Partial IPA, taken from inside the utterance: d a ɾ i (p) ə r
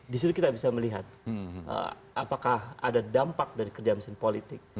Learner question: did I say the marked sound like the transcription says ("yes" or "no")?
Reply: no